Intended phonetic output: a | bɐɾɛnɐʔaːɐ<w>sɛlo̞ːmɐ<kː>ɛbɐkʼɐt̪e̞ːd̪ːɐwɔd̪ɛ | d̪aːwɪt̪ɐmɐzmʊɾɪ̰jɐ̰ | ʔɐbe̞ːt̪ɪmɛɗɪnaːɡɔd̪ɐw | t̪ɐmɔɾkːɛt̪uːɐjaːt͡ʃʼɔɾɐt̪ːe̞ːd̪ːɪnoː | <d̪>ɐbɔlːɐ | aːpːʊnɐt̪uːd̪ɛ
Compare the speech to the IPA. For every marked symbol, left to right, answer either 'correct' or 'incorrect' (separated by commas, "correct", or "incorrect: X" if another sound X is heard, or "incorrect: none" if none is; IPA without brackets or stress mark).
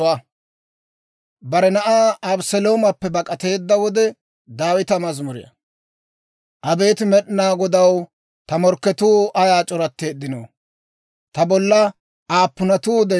incorrect: b, incorrect: pː, incorrect: t̪